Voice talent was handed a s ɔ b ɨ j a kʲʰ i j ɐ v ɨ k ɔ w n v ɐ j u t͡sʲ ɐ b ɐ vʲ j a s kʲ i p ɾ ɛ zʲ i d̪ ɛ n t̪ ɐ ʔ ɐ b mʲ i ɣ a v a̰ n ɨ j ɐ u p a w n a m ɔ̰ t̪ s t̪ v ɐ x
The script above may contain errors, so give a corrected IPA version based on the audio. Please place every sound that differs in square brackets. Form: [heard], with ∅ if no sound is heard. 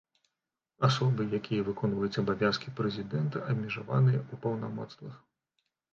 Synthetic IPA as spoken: a s ɔ b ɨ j a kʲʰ i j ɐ v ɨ k ɔ [∅] n v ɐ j u t͡sʲ ɐ b [a] vʲ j a s kʲ i p ɾ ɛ zʲ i d̪ ɛ n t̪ ɐ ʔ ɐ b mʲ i [ʐ] a v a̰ n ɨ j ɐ u p [ɐ] w n a m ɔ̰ t̪ s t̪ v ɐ x